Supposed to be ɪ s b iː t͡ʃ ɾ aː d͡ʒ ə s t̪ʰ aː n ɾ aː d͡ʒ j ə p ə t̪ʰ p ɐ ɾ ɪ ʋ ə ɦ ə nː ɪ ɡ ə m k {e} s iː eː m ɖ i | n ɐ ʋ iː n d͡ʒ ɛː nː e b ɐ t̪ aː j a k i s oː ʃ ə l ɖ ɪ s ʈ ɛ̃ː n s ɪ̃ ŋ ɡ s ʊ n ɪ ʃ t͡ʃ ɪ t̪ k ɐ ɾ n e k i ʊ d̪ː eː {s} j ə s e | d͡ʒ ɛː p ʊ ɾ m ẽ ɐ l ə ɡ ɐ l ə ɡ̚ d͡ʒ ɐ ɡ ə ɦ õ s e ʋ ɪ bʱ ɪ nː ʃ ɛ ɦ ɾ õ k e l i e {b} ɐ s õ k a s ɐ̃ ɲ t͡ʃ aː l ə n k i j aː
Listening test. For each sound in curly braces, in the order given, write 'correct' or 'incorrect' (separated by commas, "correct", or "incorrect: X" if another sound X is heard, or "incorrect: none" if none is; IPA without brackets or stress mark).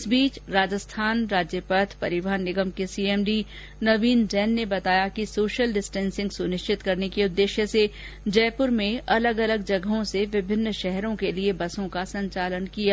correct, incorrect: ʃ, correct